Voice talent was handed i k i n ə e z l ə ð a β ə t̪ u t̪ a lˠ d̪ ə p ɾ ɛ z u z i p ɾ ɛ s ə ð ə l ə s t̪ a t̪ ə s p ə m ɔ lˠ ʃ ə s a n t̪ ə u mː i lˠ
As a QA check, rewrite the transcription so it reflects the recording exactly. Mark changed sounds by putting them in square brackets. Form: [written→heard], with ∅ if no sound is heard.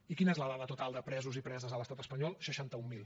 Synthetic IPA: i k i n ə e z l ə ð a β ə t̪ u t̪ a lˠ d̪ ə p ɾ ɛ z u z i p ɾ ɛ [s→z] ə [ð→z] ə l ə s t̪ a t̪ ə s p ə [m→ɲ] ɔ lˠ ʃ ə [s→ʃ] a n t̪ ə u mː i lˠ